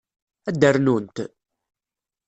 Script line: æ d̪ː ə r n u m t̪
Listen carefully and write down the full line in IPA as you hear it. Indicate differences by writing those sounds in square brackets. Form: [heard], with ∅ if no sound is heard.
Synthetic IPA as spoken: æ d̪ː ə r n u [n] t̪